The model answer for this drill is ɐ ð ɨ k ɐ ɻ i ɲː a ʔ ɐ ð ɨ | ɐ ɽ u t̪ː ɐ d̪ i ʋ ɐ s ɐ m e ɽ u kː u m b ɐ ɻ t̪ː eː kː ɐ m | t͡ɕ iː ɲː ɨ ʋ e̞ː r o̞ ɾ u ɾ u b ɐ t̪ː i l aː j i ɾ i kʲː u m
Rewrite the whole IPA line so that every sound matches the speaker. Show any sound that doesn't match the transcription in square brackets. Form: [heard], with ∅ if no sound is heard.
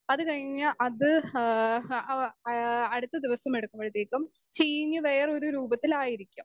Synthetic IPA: ɐ ð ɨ k ɐ ɻ i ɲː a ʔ ɐ ð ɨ | ɐ ɽ u t̪ː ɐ d̪ i ʋ ɐ s ɐ m e ɽ u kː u m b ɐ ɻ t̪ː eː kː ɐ m | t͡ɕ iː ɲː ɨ ʋ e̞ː r o̞ ɾ u ɾ [uː] b ɐ t̪ː i l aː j i ɾ i kʲː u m